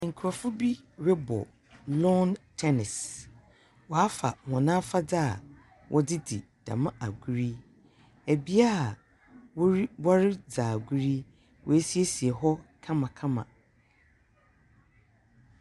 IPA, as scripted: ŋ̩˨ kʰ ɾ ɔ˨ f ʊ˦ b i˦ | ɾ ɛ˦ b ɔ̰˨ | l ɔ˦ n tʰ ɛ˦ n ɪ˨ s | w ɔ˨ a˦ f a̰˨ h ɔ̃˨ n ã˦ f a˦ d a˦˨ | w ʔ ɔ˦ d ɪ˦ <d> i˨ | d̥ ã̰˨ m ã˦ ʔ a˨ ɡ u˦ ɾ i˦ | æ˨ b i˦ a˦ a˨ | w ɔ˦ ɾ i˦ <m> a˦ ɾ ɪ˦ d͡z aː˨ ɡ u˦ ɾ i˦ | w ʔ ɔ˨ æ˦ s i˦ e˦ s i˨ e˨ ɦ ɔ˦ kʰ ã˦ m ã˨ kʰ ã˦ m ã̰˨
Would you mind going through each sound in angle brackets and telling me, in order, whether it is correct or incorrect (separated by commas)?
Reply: correct, incorrect